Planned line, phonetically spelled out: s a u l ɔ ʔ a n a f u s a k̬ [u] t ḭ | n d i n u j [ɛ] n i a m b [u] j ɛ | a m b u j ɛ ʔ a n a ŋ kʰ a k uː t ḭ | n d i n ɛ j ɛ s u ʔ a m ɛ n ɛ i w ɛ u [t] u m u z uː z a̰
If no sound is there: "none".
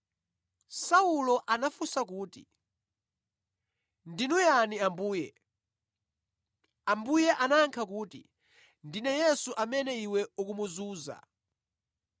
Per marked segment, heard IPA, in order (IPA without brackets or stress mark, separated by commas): uː, a, uː, k